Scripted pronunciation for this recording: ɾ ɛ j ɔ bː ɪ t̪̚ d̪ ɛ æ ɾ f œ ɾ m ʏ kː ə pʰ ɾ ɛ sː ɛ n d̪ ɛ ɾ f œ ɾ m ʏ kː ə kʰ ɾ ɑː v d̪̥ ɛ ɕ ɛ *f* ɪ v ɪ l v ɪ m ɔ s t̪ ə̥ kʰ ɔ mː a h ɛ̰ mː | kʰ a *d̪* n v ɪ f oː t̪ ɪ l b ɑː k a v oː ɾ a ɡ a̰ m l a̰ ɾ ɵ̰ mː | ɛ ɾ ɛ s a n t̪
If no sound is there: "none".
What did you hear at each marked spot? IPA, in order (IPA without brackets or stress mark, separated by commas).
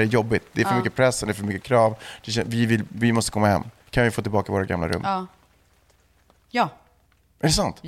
v, none